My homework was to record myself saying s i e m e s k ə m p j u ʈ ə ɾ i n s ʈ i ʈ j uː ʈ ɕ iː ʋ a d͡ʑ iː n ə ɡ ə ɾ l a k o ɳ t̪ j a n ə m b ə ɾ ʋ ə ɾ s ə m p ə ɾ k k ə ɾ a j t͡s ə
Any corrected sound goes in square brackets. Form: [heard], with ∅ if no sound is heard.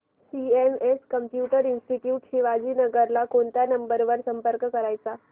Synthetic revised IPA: s i e m e s k ə m p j u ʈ ə ɾ i n s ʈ i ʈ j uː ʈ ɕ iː ʋ a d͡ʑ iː n ə ɡ ə ɾ l a k o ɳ t̪ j a n ə m b ə ɾ ʋ ə ɾ s ə m p ə ɾ k k ə ɾ a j t͡s [a]